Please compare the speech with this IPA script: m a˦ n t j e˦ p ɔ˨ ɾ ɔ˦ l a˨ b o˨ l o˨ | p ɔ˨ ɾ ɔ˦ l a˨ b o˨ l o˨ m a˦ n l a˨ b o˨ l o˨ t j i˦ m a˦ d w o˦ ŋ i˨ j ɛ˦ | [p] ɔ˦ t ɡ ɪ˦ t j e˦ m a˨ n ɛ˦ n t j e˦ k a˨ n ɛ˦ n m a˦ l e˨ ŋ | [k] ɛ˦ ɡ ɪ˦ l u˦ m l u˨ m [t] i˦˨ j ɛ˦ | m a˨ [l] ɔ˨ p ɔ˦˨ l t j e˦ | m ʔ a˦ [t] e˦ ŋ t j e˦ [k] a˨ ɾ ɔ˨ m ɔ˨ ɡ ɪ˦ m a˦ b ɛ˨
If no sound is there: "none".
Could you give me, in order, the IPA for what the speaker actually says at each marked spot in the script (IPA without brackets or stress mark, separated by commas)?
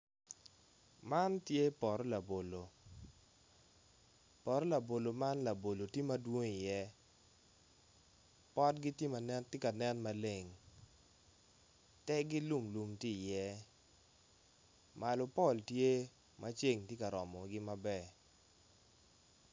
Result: p, t, t, l, t͡ʃ, k